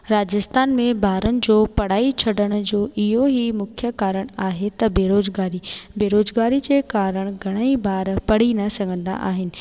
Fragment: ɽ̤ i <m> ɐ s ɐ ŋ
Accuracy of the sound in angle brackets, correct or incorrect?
incorrect